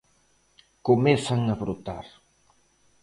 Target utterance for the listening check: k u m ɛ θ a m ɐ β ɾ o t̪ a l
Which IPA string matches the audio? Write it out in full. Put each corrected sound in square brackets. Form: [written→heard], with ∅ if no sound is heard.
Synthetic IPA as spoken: k [u→o] m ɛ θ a [m→ŋ] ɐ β ɾ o t̪ a [l→ɾ]